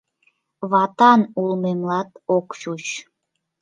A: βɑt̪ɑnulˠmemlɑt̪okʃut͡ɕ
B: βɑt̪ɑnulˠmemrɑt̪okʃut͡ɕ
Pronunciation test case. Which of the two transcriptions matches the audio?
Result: A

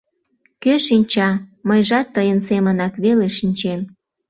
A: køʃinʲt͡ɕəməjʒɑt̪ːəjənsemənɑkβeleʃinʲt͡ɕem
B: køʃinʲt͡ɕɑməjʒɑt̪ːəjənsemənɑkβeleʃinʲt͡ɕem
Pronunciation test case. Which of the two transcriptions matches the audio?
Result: B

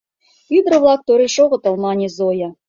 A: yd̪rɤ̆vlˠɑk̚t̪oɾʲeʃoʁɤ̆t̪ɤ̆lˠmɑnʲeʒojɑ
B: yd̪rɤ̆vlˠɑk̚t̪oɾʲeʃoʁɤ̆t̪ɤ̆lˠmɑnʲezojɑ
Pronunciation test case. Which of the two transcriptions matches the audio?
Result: B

